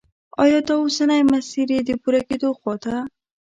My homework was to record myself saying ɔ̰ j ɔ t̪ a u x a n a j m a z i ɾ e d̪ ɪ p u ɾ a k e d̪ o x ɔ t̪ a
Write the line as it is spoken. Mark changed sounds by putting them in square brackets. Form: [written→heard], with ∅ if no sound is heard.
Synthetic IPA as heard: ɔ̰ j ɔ t̪ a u [x→s] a n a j m a [z→s] i ɾ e d̪ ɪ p u ɾ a k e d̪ o x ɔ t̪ a